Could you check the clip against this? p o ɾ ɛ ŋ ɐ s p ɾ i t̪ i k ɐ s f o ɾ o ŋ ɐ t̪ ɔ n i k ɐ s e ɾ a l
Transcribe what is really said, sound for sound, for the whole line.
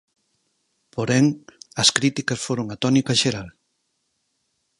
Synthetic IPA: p o ɾ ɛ ŋ ɐ s k ɾ i t̪ i k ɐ s f o ɾ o ŋ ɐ t̪ ɔ n i k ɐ ʃ e ɾ a l